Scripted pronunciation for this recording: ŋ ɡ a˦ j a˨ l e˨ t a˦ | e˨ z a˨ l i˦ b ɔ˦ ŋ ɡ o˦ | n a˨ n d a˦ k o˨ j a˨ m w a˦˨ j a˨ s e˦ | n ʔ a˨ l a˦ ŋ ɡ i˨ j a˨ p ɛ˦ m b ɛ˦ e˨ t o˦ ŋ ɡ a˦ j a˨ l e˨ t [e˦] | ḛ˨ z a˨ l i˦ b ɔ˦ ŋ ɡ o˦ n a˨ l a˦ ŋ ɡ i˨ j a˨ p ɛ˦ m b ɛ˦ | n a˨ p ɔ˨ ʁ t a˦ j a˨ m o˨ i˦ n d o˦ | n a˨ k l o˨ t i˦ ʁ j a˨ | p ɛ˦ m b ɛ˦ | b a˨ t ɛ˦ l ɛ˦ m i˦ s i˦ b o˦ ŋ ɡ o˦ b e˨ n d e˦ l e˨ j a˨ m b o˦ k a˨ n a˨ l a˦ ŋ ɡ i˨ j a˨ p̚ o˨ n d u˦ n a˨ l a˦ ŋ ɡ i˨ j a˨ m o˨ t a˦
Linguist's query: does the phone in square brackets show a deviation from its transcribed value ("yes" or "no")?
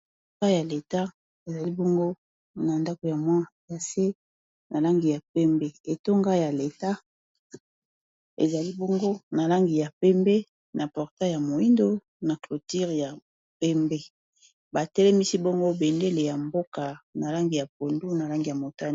yes